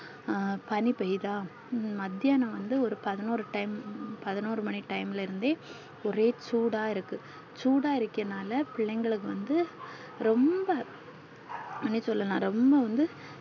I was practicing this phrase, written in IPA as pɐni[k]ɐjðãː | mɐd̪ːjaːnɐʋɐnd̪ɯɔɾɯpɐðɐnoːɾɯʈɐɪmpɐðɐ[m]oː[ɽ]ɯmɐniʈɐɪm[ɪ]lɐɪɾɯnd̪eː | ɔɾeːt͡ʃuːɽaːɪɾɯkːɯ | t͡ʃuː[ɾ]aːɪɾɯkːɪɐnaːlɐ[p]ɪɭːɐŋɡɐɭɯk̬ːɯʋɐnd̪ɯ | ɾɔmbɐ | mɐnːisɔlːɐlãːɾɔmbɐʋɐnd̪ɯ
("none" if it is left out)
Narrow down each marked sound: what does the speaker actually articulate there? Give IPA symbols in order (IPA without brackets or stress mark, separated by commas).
p, n, ɾ, ɪ, ɽ, p